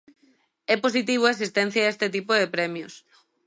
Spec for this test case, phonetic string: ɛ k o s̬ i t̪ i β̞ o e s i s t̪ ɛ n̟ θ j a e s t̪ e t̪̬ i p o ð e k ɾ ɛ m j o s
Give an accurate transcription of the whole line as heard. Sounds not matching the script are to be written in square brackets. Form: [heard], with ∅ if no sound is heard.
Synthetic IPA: ɛ [p] o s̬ i t̪ i β̞ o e s i s t̪ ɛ n̟ θ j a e s t̪ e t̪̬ i p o ð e [p] ɾ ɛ m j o s